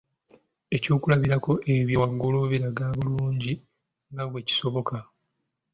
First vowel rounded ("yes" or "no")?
no